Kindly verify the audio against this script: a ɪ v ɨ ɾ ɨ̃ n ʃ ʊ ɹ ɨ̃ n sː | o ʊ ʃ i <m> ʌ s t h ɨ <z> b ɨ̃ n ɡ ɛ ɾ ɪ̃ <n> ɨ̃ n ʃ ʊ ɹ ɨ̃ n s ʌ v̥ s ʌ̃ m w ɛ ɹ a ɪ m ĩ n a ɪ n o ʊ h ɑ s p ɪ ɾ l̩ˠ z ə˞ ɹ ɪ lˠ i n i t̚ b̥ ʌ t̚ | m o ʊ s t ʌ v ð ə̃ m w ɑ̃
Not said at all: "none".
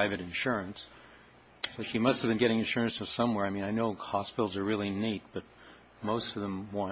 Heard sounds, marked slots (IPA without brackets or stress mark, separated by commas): m, v, ŋ